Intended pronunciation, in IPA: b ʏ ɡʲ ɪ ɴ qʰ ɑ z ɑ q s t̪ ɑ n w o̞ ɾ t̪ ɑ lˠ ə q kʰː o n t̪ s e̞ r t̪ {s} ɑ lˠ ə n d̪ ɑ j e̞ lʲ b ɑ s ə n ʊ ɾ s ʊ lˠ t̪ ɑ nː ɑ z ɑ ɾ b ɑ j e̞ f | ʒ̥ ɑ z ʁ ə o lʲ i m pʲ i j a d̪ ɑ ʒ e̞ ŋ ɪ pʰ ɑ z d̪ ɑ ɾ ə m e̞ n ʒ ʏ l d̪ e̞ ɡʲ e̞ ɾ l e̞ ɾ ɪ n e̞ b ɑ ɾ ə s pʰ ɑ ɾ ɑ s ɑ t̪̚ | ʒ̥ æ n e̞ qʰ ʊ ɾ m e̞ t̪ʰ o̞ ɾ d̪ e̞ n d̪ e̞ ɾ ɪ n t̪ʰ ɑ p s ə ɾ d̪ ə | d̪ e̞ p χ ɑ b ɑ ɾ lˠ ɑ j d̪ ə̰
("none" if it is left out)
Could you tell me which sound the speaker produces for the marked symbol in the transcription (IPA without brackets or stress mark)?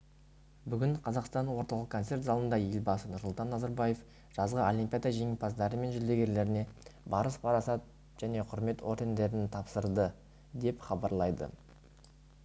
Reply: z